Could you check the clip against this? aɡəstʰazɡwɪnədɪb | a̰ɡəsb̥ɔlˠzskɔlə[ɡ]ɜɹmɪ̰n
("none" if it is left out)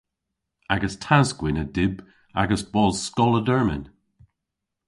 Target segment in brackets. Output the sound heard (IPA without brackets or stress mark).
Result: d